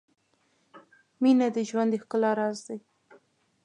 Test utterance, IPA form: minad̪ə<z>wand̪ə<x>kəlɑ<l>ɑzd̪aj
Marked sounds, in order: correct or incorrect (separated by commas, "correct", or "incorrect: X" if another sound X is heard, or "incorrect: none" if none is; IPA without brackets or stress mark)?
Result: incorrect: ʒ, correct, incorrect: ɾ